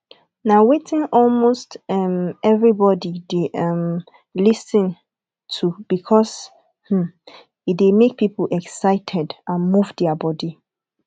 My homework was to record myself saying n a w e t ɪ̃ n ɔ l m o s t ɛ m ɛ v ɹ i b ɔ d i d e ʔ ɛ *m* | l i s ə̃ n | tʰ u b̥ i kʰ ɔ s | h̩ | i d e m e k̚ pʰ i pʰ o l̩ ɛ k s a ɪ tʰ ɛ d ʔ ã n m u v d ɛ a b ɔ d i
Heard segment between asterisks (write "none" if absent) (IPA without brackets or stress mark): m